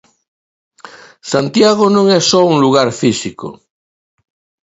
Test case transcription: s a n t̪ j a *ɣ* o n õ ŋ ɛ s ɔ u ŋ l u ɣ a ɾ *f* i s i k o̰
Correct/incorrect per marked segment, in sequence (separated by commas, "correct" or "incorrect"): correct, correct